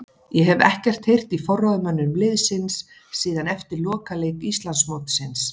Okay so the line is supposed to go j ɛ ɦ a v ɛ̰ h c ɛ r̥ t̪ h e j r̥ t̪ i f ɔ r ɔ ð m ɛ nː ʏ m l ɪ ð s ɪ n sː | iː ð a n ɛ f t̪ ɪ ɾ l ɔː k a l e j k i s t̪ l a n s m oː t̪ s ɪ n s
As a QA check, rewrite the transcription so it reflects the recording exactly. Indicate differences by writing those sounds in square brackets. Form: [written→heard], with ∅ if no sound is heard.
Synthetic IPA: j ɛ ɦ [a→ɛ] v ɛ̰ h c ɛ r̥ t̪ h e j r̥ t̪ i f ɔ r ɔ ð m [ɛ→œ] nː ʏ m l ɪ ð s ɪ n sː | iː ð a n ɛ f t̪ ɪ ɾ l ɔː k a l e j k i s t̪ l a n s m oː t̪ s ɪ n s